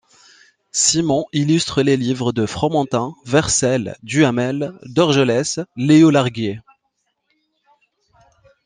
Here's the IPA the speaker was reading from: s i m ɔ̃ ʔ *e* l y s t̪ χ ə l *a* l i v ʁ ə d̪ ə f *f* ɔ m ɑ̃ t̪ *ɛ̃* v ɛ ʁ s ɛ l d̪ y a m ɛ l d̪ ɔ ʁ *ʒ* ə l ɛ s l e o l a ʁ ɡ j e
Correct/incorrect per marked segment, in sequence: incorrect: i, incorrect: e, incorrect: χ, correct, correct

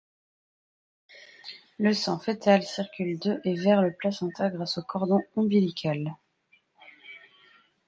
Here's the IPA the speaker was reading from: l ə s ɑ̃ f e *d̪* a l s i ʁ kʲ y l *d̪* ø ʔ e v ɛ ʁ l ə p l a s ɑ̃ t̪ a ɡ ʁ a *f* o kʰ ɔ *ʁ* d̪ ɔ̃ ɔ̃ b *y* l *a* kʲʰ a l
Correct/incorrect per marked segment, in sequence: incorrect: t̪, correct, incorrect: s, correct, incorrect: i, incorrect: i

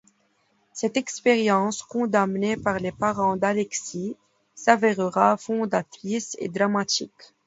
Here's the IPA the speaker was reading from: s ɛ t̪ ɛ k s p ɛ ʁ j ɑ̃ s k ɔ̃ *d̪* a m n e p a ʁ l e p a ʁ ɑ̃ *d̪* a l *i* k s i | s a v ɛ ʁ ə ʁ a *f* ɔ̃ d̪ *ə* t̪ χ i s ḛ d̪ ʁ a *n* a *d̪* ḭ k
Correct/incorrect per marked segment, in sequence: correct, correct, incorrect: ɛ, correct, incorrect: a, incorrect: m, incorrect: t̪

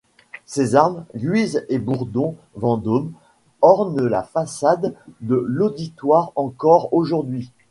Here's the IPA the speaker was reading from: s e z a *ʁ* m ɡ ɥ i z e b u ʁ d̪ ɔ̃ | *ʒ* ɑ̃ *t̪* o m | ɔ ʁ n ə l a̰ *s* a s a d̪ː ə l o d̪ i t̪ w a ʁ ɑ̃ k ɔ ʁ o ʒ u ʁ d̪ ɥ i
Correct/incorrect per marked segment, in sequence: correct, incorrect: v, incorrect: d̪, incorrect: f

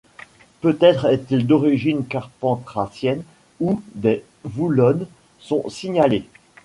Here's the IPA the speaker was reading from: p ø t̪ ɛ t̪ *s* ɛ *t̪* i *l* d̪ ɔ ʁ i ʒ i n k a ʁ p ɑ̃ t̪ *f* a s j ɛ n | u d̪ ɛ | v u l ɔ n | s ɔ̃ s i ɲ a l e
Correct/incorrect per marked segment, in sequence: incorrect: χ, correct, correct, incorrect: χ

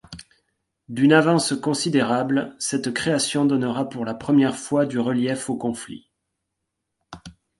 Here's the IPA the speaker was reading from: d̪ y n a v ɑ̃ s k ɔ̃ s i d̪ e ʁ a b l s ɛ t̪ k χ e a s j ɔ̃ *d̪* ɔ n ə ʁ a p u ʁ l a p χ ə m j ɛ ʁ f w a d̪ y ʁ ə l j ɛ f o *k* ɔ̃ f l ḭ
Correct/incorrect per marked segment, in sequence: correct, correct

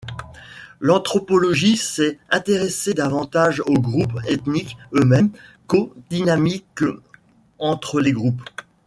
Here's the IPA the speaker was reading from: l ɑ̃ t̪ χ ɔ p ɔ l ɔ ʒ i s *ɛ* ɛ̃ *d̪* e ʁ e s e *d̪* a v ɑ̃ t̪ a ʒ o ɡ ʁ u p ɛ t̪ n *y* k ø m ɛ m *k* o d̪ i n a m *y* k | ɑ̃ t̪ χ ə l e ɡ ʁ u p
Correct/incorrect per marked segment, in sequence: correct, incorrect: t̪, correct, incorrect: i, correct, incorrect: i

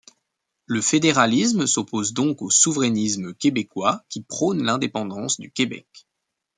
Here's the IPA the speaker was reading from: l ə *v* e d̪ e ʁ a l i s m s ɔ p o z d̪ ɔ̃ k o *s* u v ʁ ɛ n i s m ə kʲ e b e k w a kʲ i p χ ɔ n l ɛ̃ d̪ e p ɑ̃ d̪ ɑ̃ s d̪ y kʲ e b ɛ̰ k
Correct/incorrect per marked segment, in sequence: incorrect: f, correct

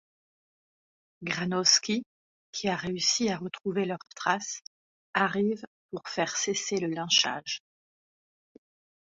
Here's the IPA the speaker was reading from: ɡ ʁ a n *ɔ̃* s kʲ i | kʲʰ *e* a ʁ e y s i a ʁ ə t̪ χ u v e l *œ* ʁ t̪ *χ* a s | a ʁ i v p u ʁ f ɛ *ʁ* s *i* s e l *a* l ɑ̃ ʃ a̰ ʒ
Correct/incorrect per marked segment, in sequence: incorrect: ɔ, incorrect: i, correct, correct, correct, incorrect: e, incorrect: ə

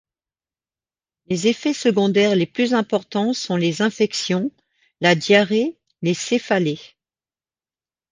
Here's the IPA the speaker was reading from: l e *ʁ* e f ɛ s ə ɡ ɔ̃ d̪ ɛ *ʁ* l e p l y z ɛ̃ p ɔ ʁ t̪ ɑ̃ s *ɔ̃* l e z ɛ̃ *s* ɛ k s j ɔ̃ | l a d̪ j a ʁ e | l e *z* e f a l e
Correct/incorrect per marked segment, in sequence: incorrect: z, correct, correct, incorrect: f, incorrect: s

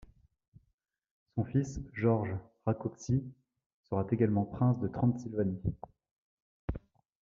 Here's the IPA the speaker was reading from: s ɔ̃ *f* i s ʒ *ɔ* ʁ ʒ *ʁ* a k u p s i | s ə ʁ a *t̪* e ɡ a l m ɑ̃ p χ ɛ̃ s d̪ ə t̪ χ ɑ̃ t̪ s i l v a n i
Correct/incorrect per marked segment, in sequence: correct, correct, correct, correct

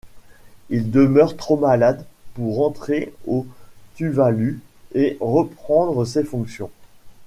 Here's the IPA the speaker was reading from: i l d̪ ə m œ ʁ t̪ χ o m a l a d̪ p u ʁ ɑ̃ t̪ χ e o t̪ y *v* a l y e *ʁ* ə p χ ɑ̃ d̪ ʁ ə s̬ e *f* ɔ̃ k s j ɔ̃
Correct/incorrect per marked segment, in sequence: correct, correct, correct

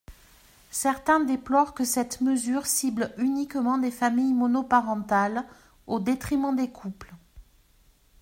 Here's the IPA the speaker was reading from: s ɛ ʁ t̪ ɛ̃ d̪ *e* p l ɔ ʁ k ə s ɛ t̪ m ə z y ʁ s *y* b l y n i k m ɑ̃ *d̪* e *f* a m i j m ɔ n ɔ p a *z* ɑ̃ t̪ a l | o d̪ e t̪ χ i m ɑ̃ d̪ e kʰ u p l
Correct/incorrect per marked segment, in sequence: correct, incorrect: i, correct, correct, incorrect: ʁ

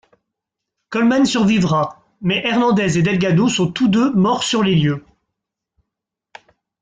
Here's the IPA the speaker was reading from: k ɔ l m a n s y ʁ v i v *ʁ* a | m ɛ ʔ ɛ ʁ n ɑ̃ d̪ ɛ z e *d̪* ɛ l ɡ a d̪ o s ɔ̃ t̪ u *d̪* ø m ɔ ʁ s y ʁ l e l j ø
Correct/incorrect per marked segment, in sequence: correct, correct, correct

